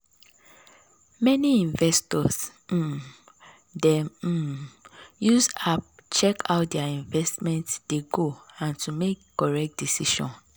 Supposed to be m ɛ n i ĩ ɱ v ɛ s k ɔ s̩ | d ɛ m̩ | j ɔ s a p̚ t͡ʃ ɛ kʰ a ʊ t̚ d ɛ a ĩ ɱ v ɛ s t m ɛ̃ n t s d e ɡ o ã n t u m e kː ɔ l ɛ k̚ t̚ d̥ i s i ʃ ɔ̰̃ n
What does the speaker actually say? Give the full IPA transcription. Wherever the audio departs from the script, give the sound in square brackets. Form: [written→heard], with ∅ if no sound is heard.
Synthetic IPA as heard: m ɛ n i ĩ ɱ v ɛ s [k→t] ɔ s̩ | d ɛ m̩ | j [ɔ→u] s a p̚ t͡ʃ ɛ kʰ a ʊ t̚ d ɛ a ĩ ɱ v ɛ s t m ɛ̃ n t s d e ɡ o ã n t u m e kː ɔ [l→ɹ] ɛ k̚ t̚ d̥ i s i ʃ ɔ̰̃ n